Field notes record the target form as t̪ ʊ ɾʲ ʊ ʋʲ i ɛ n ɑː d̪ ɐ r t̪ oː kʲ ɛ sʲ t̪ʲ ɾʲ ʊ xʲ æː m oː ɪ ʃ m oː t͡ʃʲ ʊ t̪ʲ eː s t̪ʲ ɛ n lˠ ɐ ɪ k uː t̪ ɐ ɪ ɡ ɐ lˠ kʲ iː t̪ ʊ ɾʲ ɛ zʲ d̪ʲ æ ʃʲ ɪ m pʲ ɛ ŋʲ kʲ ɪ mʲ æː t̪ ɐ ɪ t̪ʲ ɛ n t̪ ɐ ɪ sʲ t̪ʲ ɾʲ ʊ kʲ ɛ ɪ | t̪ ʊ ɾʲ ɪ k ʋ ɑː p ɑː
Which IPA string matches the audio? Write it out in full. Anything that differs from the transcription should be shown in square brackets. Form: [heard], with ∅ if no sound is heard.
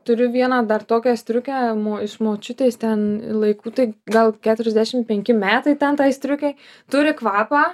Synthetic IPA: t̪ ʊ ɾʲ ʊ ʋʲ i ɛ n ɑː d̪ ɐ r t̪ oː kʲ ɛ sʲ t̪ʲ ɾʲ ʊ [kʲ] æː m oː ɪ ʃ m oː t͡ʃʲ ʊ t̪ʲ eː s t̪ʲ ɛ n lˠ ɐ ɪ k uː t̪ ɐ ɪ ɡ ɐ lˠ kʲ [æː] t̪ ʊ ɾʲ ɛ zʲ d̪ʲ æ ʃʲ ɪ m pʲ ɛ ŋʲ kʲ ɪ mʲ æː t̪ ɐ ɪ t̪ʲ ɛ n t̪ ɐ ɪ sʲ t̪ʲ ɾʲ ʊ kʲ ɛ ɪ | t̪ ʊ ɾʲ ɪ k ʋ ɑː p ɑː